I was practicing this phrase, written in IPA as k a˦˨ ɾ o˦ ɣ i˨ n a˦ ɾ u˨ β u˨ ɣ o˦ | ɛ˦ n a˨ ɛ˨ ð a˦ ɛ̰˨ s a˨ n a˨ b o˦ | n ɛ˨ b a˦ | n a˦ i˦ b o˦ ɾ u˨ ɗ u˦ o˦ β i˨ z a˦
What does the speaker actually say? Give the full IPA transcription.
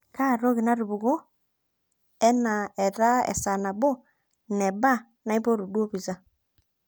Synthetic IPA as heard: k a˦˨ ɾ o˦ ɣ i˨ n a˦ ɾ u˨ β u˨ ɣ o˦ | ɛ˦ n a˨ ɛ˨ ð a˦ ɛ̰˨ s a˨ n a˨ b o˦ | n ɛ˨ b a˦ | n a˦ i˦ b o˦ ɾ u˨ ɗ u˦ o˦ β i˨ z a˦